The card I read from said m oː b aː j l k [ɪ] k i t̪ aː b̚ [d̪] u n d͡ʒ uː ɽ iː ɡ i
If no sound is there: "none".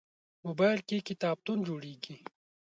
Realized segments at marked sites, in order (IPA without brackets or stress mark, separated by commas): i, t̪